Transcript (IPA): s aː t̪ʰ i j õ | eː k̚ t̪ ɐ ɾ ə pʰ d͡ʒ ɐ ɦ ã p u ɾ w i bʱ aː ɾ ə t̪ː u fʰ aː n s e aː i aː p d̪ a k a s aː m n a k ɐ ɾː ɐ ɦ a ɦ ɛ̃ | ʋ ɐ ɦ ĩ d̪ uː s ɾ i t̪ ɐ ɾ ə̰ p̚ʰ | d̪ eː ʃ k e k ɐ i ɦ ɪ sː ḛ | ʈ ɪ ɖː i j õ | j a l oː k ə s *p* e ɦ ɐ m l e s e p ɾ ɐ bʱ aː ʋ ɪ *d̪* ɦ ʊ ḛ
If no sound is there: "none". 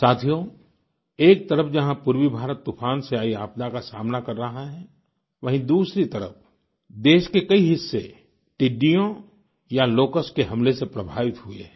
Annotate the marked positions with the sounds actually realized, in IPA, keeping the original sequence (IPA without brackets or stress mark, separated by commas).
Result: k, t̪